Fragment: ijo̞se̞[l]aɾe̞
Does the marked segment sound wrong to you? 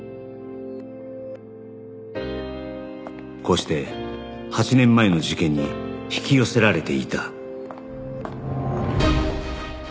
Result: yes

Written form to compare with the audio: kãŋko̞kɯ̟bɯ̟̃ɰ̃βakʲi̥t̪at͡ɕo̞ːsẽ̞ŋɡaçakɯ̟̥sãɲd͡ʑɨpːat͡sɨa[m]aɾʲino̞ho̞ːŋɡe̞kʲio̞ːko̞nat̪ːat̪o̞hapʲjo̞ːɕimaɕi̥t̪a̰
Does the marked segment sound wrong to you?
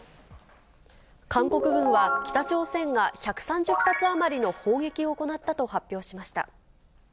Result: no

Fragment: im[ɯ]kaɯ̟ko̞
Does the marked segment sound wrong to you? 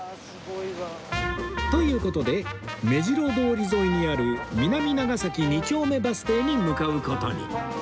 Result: no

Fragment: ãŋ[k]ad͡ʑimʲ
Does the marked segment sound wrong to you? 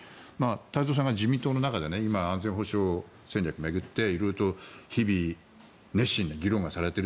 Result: yes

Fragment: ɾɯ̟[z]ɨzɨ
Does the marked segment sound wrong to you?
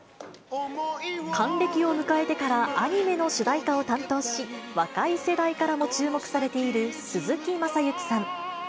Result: yes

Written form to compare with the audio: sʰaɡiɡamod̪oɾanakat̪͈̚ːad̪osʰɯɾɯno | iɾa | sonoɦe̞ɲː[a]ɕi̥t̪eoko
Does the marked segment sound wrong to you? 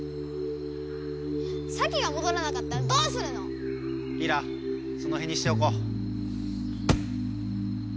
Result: yes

